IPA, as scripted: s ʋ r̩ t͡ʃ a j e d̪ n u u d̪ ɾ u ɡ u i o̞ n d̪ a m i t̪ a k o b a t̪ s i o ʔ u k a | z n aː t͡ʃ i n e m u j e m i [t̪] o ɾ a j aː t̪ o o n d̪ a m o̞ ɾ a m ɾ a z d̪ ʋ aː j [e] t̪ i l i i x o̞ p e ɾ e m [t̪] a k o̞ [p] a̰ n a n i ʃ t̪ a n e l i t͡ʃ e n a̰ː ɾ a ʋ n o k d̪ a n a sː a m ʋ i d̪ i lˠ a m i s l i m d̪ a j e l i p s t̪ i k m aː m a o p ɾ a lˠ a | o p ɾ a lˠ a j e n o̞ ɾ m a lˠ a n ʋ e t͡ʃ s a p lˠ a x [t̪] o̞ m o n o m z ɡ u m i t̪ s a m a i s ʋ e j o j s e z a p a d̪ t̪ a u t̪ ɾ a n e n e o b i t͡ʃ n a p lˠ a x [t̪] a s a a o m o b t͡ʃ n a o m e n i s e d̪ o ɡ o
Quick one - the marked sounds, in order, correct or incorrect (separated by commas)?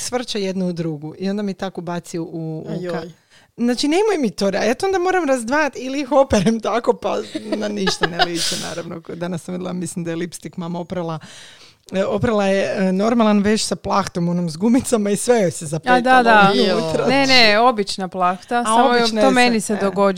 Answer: correct, incorrect, correct, correct, correct, correct